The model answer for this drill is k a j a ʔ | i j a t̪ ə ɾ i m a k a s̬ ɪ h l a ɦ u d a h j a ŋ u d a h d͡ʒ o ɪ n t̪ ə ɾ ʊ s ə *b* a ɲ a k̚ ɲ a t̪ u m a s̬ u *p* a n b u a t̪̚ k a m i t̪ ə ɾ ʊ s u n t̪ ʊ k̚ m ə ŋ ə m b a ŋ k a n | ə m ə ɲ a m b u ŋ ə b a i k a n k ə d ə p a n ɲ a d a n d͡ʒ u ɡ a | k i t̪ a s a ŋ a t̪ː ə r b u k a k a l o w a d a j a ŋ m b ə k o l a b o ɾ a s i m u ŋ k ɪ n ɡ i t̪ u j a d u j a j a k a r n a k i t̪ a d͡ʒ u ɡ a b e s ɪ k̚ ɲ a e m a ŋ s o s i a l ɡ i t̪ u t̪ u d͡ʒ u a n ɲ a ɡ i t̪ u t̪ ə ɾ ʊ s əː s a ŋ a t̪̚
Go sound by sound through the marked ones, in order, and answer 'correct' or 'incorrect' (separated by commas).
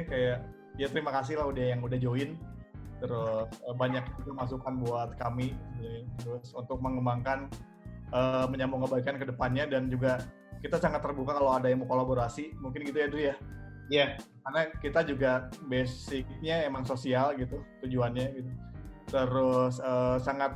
correct, incorrect